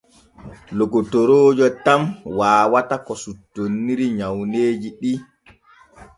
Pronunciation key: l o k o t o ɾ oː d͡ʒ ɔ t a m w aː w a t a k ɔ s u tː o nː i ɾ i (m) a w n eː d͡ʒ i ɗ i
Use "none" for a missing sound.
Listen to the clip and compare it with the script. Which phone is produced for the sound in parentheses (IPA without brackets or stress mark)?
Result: ɲ